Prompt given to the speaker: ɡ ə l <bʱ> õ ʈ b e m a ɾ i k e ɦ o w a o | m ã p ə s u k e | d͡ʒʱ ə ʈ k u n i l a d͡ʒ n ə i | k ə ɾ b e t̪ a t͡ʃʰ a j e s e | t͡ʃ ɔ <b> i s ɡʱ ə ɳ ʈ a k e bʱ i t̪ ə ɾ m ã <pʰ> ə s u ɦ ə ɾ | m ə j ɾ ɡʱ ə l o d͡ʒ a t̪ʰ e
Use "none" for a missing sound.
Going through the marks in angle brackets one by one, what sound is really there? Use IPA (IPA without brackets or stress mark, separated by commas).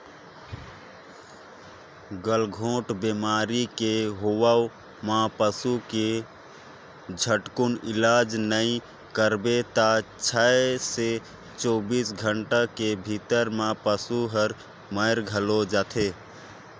ɡʱ, b, p